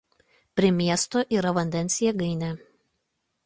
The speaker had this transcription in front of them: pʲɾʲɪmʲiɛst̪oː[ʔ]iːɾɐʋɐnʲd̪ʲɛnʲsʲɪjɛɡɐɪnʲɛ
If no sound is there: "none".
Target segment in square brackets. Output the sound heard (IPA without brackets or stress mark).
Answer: ʔ